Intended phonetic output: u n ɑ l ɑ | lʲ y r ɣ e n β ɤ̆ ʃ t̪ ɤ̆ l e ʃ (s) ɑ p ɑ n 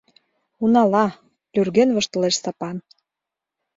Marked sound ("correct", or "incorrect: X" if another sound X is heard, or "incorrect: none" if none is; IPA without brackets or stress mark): correct